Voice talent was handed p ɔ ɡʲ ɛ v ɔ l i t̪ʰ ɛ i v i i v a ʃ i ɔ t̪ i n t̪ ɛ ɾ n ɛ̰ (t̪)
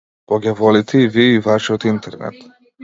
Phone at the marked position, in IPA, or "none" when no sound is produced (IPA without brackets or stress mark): t̪